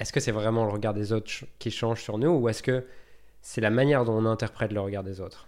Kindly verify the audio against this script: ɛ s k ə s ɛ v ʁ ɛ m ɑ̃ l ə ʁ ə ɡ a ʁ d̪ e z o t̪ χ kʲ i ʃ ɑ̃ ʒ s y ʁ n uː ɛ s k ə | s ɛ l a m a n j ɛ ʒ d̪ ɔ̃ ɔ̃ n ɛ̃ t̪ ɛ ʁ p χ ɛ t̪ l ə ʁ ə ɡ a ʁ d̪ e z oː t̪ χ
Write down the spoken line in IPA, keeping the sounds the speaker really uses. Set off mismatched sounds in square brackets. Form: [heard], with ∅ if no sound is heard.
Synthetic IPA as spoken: ɛ s k ə s ɛ v ʁ ɛ m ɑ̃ l ə ʁ ə ɡ a ʁ d̪ e z o t̪ χ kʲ i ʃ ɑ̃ ʒ s y ʁ n uː ɛ s k ə | s ɛ l a m a n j ɛ [ʁ] d̪ ɔ̃ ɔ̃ n ɛ̃ t̪ ɛ ʁ p χ ɛ t̪ l ə ʁ ə ɡ a ʁ d̪ e z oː t̪ χ